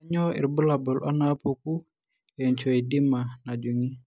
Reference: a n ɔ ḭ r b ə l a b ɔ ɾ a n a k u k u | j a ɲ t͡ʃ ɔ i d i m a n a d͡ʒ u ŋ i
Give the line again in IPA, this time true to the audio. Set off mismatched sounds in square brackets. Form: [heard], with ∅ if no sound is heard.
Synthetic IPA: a [ɲ] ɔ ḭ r b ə l a b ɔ [l] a n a [p] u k u | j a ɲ t͡ʃ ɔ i d i m a n a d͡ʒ u ŋ i